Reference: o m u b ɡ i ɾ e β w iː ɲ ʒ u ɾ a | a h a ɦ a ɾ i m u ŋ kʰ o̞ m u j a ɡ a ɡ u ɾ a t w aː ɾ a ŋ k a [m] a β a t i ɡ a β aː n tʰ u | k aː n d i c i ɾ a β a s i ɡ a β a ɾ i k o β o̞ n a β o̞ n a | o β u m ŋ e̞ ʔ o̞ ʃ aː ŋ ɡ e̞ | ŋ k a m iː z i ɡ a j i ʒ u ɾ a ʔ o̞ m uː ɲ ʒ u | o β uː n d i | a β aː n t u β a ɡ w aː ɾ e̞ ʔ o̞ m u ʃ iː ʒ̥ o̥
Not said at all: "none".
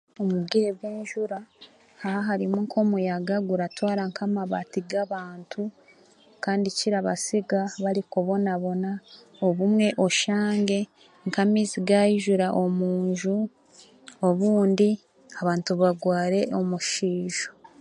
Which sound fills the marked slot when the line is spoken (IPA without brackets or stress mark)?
m